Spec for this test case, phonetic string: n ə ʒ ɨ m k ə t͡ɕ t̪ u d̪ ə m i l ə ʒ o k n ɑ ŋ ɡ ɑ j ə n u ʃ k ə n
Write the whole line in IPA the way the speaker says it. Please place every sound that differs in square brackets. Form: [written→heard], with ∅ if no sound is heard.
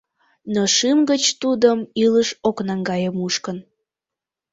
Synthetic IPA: n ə [ʒ→ʃ] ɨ m [k→ɡ] ə t͡ɕ t̪ u d̪ ə m i l ə [ʒ→ʃ] o k n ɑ ŋ ɡ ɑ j ə [n→m] u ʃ k ə n